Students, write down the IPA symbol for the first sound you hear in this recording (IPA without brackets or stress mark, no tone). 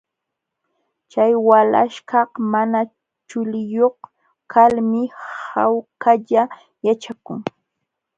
t͡ʃ